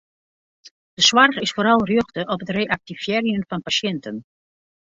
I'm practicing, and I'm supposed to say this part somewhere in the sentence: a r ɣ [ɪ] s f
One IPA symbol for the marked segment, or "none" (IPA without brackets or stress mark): ɪ